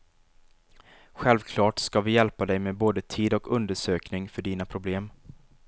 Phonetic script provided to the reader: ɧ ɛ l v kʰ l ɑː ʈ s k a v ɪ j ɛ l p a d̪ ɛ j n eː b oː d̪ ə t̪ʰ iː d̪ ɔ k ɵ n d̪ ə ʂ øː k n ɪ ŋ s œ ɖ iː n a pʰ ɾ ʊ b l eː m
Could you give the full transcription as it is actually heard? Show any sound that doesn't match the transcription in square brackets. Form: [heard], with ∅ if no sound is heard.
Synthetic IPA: ɧ ɛ l v kʰ l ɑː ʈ s k a v ɪ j ɛ l p a d̪ ɛ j [m] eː b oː d̪ ə t̪ʰ iː d̪ ɔ k ɵ n d̪ ə ʂ øː k n ɪ ŋ [f] œ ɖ iː n a pʰ ɾ ʊ b l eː m